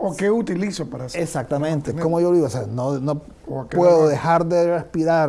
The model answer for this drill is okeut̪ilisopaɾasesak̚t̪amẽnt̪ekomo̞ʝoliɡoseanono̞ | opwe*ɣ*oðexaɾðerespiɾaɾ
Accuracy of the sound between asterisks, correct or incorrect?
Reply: incorrect